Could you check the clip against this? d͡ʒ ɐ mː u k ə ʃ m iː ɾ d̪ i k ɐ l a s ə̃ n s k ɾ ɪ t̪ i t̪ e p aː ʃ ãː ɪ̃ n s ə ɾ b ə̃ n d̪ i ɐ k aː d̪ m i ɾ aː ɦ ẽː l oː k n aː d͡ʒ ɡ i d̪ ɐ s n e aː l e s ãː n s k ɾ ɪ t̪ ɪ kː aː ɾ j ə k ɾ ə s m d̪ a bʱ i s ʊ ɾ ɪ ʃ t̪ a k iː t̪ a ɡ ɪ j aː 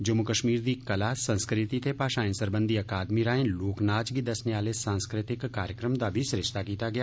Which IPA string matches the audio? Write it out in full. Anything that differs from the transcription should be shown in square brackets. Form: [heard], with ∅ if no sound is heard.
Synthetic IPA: d͡ʒ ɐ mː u k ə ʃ m iː ɾ d̪ i k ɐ l a s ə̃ n s k ɾ ɪ t̪ i t̪ e p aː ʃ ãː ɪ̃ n s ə ɾ b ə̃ n d̪ i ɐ k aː d̪ m i ɾ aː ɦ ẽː l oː k n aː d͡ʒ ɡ i d̪ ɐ s n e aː l e s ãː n s k ɾ ɪ t̪ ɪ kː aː ɾ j ə k ɾ ə [∅] m d̪ a bʱ i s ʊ ɾ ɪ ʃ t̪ a k iː t̪ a ɡ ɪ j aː